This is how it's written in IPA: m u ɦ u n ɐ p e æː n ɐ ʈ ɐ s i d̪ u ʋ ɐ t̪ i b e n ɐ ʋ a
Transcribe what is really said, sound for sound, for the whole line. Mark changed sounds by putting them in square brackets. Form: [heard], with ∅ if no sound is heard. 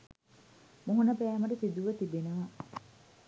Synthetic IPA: m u ɦ u n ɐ p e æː [m] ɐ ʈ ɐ s i d̪ u ʋ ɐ t̪ i b e n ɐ ʋ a